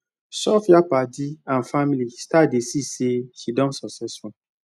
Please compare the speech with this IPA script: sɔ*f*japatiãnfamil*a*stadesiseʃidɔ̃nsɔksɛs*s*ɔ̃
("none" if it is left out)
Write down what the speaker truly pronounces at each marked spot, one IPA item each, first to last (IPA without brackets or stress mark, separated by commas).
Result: f, i, f